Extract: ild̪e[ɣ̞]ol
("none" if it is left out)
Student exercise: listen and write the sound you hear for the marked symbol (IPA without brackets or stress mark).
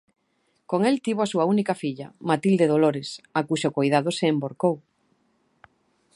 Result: ð̞